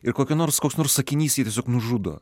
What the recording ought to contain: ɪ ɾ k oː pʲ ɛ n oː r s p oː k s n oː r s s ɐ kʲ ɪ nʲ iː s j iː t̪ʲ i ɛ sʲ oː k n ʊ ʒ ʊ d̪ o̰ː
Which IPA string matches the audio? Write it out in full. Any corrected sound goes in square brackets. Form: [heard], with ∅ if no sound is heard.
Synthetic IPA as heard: ɪ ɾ k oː [kʲ] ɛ n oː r s [k] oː k s n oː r s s ɐ kʲ ɪ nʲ iː s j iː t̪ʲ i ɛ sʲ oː k n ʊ ʒ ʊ d̪ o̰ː